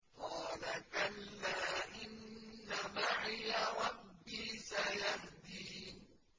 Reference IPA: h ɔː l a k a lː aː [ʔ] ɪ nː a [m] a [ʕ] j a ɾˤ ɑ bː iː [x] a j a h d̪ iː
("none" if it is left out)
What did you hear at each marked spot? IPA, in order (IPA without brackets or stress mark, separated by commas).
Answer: ʔ, m, ʕ, s